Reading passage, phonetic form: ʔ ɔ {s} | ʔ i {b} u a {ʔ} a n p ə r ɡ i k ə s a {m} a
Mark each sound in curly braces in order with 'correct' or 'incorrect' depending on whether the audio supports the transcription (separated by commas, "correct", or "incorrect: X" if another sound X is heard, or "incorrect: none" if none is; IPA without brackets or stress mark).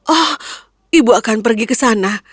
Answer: incorrect: h, correct, incorrect: k, incorrect: n